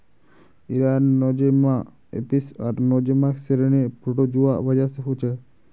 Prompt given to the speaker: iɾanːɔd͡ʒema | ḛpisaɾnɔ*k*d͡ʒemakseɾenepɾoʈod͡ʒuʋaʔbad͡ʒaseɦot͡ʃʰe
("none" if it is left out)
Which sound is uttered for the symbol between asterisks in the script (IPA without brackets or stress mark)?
none